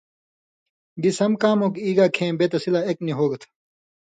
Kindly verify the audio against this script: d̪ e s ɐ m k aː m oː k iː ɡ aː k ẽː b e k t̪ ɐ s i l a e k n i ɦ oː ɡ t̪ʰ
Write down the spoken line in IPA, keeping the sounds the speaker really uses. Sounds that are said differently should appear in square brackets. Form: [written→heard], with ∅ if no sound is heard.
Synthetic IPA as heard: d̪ [e→i] s ɐ m k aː m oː k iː ɡ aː [k→kʰ] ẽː b e [k→∅] t̪ ɐ s i l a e k n i ɦ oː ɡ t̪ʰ

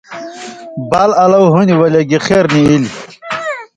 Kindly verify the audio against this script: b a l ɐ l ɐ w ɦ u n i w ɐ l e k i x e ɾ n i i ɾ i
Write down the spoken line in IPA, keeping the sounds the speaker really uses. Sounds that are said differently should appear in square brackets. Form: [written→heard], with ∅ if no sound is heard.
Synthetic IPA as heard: b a l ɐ l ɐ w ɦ u n i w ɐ l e [k→ɡ] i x e ɾ n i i [ɾ→l] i

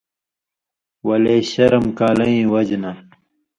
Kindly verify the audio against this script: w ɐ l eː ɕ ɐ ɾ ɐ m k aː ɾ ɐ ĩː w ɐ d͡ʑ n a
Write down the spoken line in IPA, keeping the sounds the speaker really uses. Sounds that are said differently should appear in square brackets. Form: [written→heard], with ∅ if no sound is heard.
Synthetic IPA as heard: w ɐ l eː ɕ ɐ ɾ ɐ m k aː [ɾ→l] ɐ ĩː w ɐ d͡ʑ n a

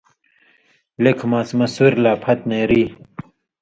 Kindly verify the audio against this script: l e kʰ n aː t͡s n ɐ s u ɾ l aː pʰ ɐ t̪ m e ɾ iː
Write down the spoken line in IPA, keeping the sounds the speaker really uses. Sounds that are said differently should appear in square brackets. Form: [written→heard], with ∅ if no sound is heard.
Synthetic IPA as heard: l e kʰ [n→m] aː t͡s [n→m] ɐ s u ɾ l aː pʰ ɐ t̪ [m→n] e ɾ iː

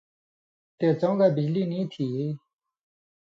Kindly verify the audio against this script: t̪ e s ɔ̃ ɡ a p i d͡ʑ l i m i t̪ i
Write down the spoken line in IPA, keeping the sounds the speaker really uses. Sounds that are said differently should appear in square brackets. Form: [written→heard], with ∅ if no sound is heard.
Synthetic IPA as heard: t̪ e [s→t͡s] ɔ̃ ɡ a [p→b] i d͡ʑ l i [m→n] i [t̪→t̪ʰ] i

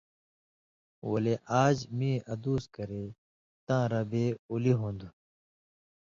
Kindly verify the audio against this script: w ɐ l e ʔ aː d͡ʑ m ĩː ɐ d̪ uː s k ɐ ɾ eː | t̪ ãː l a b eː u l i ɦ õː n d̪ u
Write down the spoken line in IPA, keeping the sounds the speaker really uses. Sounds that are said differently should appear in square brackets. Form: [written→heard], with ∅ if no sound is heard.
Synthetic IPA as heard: w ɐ l e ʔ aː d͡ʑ m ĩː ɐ d̪ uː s k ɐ ɾ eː | t̪ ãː [l→ɾ] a b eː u l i ɦ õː n d̪ u

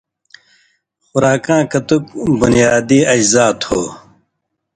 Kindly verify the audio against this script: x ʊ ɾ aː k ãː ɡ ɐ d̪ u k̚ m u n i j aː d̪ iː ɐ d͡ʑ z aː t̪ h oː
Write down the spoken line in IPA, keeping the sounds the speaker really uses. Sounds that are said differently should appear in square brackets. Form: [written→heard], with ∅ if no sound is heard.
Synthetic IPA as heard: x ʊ ɾ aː k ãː [ɡ→k] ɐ [d̪→t̪] u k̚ [m→b] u n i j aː d̪ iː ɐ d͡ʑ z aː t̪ h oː

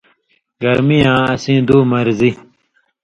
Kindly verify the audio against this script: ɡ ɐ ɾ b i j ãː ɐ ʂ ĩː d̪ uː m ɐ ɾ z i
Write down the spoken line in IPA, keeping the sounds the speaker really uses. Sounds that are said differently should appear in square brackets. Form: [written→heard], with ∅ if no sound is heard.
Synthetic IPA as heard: ɡ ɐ ɾ [b→m] i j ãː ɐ [ʂ→s] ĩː d̪ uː m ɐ ɾ z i

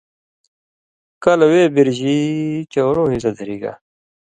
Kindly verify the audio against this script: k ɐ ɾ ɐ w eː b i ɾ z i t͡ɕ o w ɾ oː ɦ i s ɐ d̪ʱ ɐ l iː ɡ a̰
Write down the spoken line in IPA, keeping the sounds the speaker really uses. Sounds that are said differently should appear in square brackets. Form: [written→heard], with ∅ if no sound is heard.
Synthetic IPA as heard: k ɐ [ɾ→l] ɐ w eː b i ɾ [z→ʑ] i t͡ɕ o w ɾ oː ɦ i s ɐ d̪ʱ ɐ [l→ɾ] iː ɡ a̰

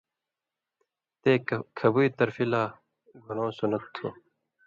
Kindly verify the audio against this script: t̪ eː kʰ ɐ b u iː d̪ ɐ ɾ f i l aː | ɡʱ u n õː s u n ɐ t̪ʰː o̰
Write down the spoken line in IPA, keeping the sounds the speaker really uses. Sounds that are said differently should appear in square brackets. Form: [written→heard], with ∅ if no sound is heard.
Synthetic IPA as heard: t̪ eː kʰ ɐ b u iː [d̪→t̪] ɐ ɾ f i l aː | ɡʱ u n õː s u n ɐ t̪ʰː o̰

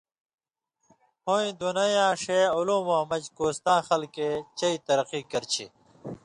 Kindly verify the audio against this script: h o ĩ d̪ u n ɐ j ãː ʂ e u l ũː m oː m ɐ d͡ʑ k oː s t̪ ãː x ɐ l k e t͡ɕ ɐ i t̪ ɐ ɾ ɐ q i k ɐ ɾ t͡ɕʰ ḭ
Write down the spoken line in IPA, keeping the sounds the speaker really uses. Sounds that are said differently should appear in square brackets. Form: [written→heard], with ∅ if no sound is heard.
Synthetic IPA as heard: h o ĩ d̪ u n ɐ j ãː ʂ e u l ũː m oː m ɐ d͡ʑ k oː s t̪ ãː x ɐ l k e t͡ɕ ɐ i t̪ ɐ ɾ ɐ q i k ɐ ɾ t͡ɕʰ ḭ

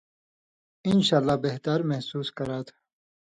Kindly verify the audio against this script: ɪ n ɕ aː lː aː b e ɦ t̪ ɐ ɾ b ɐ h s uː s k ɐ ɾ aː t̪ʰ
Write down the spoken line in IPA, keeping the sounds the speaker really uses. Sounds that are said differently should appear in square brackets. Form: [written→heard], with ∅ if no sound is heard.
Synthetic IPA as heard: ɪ n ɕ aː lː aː b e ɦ t̪ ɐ ɾ [b→m] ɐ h s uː s k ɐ ɾ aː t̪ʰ

